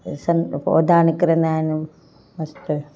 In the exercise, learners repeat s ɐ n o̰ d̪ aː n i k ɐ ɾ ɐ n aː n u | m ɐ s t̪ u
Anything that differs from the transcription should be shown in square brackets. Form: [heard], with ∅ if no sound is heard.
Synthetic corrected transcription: s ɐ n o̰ d̪ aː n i k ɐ ɾ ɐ n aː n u | m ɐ s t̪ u

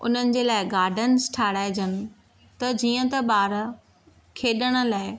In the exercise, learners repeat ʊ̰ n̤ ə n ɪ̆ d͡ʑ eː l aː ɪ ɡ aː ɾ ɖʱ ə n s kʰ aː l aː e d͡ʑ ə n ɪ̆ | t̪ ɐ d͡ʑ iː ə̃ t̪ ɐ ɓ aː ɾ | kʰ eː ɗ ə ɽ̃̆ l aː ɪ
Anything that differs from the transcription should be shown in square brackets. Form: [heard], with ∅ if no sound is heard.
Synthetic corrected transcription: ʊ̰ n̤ ə n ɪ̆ d͡ʑ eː l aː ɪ ɡ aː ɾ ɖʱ ə n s [ʈʰ] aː [ɽ] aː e d͡ʑ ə n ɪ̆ | t̪ ɐ d͡ʑ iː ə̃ t̪ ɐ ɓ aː ɾ | kʰ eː ɗ ə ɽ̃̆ l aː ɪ

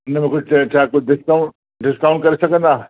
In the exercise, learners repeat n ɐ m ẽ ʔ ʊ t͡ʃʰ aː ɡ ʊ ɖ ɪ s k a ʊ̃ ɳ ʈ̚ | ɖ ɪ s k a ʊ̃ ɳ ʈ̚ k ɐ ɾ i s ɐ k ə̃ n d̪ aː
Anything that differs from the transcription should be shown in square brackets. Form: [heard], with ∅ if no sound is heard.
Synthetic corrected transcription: n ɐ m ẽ [k] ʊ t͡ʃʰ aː [k] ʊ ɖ ɪ s k a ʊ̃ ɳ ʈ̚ | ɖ ɪ s k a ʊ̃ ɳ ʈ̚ k ɐ ɾ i s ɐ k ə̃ n d̪ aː

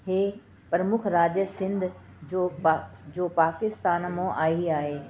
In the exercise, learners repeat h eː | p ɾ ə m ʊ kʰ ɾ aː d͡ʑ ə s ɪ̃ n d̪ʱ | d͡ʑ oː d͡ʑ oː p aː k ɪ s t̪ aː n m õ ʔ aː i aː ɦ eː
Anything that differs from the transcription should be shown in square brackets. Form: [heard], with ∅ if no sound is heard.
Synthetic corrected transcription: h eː | p ɾ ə m ʊ kʰ ɾ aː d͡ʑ ə s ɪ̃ n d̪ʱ | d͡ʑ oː d͡ʑ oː p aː k ɪ s t̪ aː n m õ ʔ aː i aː ɦ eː

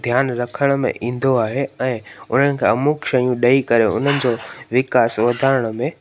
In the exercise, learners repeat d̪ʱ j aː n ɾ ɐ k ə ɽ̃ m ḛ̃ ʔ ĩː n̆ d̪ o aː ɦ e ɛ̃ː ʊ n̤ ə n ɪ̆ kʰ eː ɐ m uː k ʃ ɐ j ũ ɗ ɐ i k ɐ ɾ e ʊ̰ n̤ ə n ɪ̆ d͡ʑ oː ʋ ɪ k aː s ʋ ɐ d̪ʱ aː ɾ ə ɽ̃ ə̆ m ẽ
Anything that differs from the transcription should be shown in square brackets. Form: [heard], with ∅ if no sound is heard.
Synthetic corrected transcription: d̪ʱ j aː n ɾ ɐ [kʰ] ə ɽ̃ m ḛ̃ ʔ ĩː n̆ d̪ o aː ɦ e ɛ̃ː ʊ n̤ ə n ɪ̆ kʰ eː ɐ m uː k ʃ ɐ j ũ ɗ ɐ i k ɐ ɾ e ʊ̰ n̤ ə n ɪ̆ d͡ʑ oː ʋ ɪ k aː s ʋ ɐ d̪ʱ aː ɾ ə ɽ̃ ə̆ m ẽ

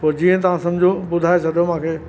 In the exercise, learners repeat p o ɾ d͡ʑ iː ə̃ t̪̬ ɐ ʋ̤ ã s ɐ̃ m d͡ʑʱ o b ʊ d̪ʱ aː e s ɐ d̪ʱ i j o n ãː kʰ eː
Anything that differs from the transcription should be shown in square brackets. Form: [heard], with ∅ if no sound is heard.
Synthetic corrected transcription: p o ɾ d͡ʑ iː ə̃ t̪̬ ɐ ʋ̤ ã s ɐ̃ m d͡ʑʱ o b ʊ d̪ʱ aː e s ɐ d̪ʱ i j o [m] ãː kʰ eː

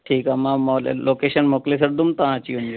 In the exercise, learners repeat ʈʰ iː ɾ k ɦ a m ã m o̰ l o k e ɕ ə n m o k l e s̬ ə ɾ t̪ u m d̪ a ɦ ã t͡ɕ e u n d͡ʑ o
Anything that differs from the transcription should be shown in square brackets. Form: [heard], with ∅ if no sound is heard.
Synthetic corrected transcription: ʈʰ iː [∅] k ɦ a m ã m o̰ l o k e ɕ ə n m o k l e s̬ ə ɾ [d̪] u m [t̪] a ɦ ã t͡ɕ [i] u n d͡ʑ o

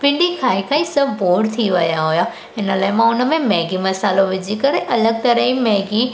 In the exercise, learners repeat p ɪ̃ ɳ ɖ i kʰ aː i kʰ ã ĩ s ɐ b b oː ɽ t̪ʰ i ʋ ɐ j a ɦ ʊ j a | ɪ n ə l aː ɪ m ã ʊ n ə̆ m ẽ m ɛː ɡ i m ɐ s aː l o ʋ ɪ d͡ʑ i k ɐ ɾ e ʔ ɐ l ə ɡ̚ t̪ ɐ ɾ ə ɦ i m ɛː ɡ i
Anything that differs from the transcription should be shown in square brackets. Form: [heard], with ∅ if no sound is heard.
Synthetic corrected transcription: p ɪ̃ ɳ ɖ i kʰ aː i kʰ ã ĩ s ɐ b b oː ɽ t̪ʰ i ʋ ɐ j a ɦ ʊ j a | ɪ n ə l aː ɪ m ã ʊ n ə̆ m ẽ m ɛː ɡ i m ɐ s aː l o ʋ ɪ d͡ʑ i k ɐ ɾ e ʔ ɐ l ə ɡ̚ t̪ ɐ ɾ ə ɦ i m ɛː ɡ i

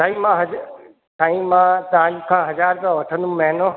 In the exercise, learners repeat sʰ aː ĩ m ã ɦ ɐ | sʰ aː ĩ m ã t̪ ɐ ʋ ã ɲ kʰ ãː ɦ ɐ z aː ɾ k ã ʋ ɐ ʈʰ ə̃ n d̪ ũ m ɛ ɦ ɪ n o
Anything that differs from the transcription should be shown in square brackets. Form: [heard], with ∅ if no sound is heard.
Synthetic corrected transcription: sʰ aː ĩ m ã ɦ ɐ | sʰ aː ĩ m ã t̪ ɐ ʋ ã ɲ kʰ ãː ɦ ɐ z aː ɾ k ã ʋ ɐ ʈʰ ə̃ n d̪ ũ m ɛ ɦ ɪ n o

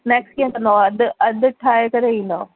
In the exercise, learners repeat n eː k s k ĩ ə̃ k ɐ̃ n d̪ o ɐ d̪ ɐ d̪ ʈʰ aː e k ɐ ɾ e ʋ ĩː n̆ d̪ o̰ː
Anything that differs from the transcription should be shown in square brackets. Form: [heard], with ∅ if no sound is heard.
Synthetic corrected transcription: n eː k s k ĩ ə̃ k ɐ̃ n d̪ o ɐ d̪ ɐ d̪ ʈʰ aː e k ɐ ɾ e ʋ ĩː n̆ d̪ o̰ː

